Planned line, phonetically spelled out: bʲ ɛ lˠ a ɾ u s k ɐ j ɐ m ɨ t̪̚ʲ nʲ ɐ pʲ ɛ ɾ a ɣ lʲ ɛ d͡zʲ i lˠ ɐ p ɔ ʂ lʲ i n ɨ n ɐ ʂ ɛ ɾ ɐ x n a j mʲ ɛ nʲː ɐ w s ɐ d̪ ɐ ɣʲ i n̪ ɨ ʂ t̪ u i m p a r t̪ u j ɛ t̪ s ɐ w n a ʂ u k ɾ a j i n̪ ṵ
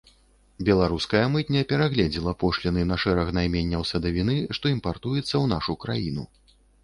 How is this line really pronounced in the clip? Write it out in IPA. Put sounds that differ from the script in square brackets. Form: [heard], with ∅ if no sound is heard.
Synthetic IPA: bʲ ɛ lˠ a ɾ u s k ɐ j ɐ m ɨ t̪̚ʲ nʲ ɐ pʲ ɛ ɾ a ɣ lʲ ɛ d͡zʲ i lˠ ɐ p ɔ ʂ lʲ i n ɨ n ɐ ʂ ɛ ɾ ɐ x n a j mʲ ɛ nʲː ɐ w s ɐ d̪ ɐ [vʲ] i n̪ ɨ ʂ t̪ [ɔ] i m p a r t̪ u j ɛ t̪ [sː] ɐ w n a ʂ u k ɾ a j i n̪ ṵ